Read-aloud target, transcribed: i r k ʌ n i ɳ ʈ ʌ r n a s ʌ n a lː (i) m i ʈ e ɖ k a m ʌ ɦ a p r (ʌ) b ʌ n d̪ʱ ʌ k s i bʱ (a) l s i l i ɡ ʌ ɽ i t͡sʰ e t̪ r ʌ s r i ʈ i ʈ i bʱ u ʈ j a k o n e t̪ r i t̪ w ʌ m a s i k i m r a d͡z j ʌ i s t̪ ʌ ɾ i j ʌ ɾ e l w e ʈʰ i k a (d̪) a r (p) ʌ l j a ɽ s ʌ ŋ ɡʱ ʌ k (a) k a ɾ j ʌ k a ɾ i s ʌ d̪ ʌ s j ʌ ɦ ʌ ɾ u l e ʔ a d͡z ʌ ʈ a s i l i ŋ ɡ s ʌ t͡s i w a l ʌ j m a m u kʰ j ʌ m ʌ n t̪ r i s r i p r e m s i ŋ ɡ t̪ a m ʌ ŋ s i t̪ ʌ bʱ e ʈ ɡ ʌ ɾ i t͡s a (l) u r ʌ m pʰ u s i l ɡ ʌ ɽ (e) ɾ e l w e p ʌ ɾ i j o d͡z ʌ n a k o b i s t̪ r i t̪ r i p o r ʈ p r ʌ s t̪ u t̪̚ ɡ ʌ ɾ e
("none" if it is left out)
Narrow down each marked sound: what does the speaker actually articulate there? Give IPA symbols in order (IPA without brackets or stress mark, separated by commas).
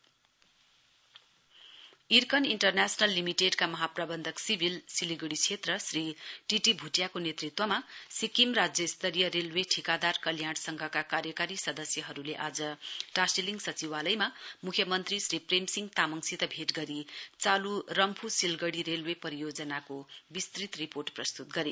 i, a, i, d̪, k, a, l, i